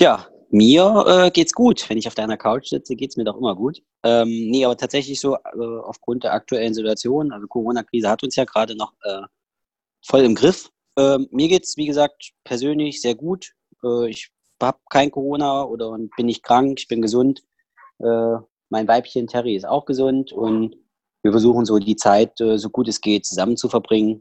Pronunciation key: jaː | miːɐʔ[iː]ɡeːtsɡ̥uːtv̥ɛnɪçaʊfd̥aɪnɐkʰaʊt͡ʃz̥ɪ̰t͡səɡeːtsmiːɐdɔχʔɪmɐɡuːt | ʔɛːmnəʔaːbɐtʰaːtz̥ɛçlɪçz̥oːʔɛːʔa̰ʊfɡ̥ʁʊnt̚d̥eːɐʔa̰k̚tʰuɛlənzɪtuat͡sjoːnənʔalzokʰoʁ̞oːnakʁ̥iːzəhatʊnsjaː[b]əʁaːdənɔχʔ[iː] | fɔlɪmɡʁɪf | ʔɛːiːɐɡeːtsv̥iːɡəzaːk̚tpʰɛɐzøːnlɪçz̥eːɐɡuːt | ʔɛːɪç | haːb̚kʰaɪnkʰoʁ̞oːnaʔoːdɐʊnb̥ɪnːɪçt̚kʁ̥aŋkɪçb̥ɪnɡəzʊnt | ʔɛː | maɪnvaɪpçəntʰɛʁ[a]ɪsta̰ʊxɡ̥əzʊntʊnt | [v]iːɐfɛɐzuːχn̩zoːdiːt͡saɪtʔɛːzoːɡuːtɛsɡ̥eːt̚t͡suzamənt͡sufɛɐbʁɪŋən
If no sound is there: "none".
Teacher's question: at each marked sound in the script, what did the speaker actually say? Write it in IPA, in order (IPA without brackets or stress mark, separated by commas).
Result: ɛː, ɡ, ɛː, i, v